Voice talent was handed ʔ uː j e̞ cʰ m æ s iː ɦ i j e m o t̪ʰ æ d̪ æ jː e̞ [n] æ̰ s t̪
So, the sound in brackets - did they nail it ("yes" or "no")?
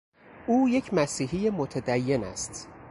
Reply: yes